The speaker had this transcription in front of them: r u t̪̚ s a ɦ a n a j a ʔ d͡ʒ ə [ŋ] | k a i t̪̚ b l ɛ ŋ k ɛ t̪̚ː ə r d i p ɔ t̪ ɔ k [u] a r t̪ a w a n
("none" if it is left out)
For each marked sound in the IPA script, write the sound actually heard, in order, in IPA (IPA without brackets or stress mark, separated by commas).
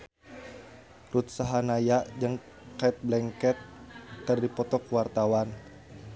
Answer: ŋ, w